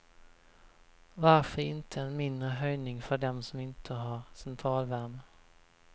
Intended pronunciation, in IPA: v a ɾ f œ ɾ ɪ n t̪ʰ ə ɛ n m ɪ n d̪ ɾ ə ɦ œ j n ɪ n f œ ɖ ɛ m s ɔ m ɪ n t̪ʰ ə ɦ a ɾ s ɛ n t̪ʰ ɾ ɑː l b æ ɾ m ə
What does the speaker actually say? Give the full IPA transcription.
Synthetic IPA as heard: v a ɾ f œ ɾ ɪ n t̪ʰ ə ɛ n m ɪ n d̪ ɾ ə ɦ œ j n ɪ ŋ f œ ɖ ɛ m s ɔ m ɪ n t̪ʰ ə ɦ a ɾ s ɛ n t̪ʰ ɾ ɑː l v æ ɾ m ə